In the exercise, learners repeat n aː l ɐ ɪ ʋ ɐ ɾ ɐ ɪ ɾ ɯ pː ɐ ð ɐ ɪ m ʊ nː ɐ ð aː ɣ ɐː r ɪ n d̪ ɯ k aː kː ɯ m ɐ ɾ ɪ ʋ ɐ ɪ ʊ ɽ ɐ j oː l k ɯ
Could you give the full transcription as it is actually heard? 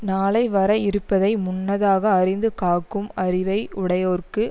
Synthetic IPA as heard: n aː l ɐ ɪ ʋ ɐ ɾ ɐ ɪ ɾ ɯ pː ɐ ð ɐ ɪ m ʊ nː ɐ ð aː ɣ ɐː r ɪ n d̪ ɯ k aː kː ɯ m ɐ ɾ ɪ ʋ ɐ ɪ ʊ ɽ ɐ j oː r k ɯ